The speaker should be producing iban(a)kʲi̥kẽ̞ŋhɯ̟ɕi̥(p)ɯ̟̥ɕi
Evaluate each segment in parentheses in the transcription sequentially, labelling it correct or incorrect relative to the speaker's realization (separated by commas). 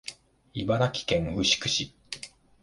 correct, incorrect